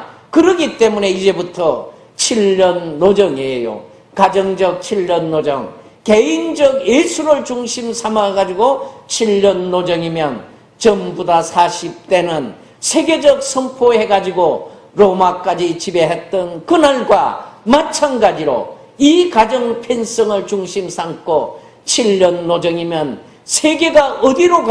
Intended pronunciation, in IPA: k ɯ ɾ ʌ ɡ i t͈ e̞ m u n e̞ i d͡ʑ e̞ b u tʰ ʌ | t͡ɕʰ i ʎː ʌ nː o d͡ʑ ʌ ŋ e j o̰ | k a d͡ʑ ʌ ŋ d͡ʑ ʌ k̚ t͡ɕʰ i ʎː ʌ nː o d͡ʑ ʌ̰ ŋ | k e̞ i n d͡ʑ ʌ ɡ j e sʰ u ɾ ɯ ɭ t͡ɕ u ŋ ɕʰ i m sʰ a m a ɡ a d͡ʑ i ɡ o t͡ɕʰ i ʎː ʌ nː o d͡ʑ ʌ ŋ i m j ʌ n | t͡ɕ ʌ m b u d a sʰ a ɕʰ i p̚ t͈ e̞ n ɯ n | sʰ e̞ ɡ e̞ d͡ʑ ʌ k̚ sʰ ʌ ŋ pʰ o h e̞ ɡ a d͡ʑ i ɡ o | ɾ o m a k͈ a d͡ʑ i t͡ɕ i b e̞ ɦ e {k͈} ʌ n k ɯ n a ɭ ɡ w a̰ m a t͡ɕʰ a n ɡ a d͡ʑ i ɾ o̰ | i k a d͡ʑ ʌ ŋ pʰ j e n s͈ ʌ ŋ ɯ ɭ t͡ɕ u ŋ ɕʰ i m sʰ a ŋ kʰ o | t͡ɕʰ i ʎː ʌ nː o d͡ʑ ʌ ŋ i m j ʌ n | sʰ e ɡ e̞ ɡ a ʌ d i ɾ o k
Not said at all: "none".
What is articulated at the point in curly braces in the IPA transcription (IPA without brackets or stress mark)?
t͈